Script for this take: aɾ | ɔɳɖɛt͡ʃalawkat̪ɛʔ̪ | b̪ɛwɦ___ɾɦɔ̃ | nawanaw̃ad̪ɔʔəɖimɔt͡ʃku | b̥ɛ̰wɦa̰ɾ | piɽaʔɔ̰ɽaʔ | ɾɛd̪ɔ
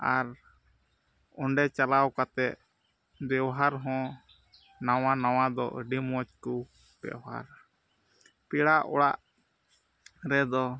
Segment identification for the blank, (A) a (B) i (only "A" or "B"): A